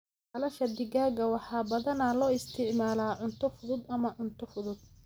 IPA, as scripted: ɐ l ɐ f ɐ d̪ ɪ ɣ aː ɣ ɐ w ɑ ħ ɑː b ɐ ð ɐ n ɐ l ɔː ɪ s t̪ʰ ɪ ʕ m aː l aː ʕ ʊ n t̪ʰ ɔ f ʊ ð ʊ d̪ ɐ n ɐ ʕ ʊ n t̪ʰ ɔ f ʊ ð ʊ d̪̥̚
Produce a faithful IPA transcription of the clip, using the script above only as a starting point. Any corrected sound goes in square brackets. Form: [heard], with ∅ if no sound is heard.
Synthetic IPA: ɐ l ɐ [ʃ] ɐ d̪ ɪ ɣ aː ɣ ɐ w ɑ ħ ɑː b ɐ ð ɐ n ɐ l ɔː ɪ s t̪ʰ ɪ ʕ m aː l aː ʕ ʊ n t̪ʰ ɔ f ʊ ð ʊ d̪ ɐ [m] ɐ ʕ ʊ n t̪ʰ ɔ f ʊ ð ʊ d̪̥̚

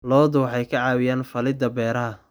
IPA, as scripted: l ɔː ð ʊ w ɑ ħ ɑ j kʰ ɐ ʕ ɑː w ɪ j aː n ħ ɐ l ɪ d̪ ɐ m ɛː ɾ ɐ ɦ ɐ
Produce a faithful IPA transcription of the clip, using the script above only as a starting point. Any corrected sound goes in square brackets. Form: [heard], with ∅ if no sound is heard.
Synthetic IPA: l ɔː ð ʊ w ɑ ħ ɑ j kʰ ɐ ʕ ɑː w ɪ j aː n [f] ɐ l ɪ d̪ ɐ [b] ɛː ɾ ɐ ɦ ɐ

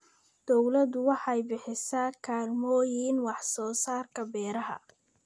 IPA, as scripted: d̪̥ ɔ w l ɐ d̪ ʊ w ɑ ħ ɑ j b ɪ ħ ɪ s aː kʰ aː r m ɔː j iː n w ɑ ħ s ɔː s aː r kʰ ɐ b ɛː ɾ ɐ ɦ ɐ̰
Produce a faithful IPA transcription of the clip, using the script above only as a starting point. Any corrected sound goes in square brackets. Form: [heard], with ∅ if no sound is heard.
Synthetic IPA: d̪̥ ɔ w l ɐ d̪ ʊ w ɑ ħ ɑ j b ɪ ħ ɪ s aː kʰ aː [l] m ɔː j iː n w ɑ ħ s ɔː s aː r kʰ ɐ b ɛː ɾ ɐ ɦ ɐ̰

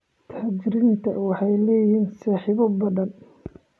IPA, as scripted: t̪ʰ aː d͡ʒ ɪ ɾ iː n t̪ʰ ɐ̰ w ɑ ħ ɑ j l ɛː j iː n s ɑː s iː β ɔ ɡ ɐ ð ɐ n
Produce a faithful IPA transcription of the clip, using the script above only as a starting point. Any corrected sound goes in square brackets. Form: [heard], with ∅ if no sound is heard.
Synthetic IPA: t̪ʰ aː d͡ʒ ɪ ɾ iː n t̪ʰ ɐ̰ w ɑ ħ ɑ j l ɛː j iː n s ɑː [ħ] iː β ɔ [b] ɐ ð ɐ n

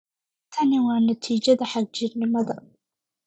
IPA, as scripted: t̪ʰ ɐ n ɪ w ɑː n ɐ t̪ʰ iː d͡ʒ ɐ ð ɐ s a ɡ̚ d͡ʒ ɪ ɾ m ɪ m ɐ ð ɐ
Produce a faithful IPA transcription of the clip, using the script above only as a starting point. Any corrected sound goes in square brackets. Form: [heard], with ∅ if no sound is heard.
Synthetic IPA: t̪ʰ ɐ n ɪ w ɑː n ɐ t̪ʰ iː d͡ʒ ɐ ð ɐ [ħ] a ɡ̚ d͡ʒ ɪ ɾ [n] ɪ m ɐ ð ɐ

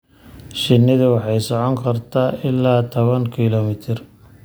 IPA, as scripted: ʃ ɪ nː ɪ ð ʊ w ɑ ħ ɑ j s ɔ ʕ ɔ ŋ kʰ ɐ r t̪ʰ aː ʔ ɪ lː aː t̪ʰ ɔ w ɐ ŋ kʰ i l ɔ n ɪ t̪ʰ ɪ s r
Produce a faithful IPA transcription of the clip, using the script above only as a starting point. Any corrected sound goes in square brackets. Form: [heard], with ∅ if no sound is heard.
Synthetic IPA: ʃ ɪ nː ɪ ð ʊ w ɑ ħ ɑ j s ɔ ʕ ɔ ŋ kʰ ɐ r t̪ʰ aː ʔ ɪ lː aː t̪ʰ ɔ [β] ɐ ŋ kʰ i l ɔ [m] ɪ t̪ʰ ɪ [∅] r

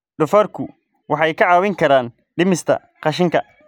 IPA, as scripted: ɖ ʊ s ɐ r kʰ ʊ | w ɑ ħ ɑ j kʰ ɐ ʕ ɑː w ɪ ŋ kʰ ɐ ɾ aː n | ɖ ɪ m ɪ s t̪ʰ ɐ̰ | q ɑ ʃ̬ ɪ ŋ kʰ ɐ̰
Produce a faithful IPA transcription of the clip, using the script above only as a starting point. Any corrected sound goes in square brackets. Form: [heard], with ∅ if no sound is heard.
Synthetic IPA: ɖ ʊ [f] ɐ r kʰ ʊ | w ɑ ħ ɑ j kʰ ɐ ʕ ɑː w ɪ ŋ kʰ ɐ ɾ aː n | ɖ ɪ m ɪ s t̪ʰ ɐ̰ | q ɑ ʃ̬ ɪ ŋ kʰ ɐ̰

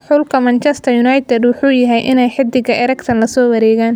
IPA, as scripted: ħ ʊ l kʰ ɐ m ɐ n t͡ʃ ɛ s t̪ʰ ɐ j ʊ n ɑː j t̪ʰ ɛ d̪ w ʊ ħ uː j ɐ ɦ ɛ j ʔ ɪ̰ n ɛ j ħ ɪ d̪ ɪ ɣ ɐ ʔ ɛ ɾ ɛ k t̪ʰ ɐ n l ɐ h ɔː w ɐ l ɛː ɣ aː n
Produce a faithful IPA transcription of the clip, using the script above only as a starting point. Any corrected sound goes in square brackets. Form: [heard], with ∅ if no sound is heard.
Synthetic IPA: ħ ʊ l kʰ ɐ m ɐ n t͡ʃ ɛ s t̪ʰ ɐ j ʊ n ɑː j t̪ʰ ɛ d̪ w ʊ ħ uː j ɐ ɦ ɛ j ʔ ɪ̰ n ɛ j ħ ɪ d̪ ɪ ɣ ɐ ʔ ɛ ɾ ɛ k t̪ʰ ɐ n l ɐ [s] ɔː w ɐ [ɾ] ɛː ɣ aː n

